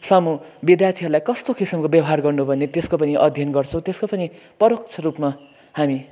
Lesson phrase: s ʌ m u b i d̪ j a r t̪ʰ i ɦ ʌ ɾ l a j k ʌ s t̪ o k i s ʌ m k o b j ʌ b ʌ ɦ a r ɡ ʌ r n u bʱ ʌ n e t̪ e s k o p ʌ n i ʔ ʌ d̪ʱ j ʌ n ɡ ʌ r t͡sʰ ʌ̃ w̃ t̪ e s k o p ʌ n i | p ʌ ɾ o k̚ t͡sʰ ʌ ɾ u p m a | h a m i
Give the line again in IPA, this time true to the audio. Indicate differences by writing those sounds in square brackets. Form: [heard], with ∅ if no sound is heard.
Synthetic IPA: s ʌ m u b i d̪ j a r t̪ʰ i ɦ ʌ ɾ l a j k ʌ s t̪ o k i s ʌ m k o b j ʌ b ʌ ɦ a r ɡ ʌ r n u bʱ ʌ n e t̪ e s k o p ʌ n i ʔ ʌ d̪ʱ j ʌ n ɡ ʌ r t͡sʰ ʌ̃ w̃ t̪ e s k o p ʌ n i | p ʌ ɾ o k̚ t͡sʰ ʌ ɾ u p m a | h a m i